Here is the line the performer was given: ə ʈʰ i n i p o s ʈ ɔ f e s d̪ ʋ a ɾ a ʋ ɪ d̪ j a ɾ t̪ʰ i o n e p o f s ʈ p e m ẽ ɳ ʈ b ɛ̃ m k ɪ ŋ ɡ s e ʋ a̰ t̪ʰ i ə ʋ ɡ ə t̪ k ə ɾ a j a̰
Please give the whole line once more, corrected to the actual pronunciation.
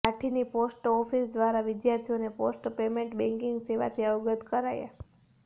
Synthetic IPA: a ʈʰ i n i p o s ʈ ɔ f i s d̪ ʋ a ɾ a ʋ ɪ d̪ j a ɾ t̪ʰ i o n e p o s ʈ p e m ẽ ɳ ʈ b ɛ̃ ŋ k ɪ ŋ ɡ s e ʋ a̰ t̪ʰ i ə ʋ ɡ ə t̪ k ə ɾ a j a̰